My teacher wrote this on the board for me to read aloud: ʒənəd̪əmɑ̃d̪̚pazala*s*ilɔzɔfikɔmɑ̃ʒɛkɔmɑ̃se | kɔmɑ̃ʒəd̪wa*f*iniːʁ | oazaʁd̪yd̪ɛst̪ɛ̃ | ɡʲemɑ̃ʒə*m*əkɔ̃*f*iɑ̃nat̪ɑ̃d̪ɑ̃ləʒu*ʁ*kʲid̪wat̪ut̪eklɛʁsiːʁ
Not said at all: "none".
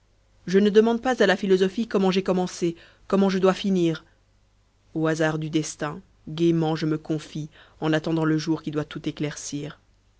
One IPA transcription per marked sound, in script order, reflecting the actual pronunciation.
f, f, m, f, ʁ

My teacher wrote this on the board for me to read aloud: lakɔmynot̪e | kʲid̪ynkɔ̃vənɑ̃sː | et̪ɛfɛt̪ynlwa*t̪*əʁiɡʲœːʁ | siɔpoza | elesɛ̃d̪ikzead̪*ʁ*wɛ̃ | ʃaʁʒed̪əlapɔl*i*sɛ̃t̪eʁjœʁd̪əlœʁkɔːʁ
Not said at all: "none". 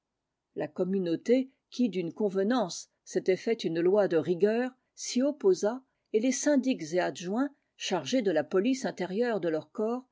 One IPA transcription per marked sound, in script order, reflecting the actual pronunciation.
d̪, ʒ, i

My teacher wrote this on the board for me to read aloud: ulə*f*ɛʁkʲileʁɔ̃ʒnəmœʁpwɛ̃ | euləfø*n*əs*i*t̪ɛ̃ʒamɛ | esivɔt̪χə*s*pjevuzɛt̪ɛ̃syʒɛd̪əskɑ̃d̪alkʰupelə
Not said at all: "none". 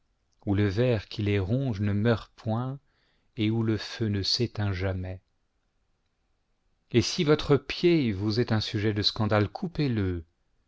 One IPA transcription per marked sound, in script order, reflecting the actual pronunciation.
v, n, e, none

